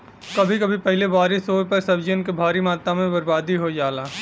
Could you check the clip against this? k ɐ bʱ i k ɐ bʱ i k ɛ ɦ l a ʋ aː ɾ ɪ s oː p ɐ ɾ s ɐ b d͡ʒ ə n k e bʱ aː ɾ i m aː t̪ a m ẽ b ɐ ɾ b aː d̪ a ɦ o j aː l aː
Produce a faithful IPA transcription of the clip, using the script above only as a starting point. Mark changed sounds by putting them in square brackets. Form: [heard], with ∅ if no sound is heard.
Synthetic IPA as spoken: k ɐ bʱ i k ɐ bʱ i [p] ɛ ɦ l [e] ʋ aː ɾ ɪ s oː p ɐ ɾ s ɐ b d͡ʒ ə n k e bʱ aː ɾ i m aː t̪ a m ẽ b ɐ ɾ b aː d̪ [i] ɦ o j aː l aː